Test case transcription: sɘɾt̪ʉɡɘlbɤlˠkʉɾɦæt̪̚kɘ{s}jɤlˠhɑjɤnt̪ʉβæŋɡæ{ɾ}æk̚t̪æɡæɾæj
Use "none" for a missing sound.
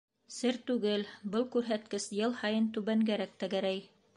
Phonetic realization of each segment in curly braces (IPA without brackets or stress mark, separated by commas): s, ɾ